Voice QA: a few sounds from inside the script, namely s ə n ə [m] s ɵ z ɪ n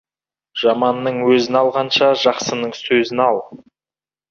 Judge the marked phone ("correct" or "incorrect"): incorrect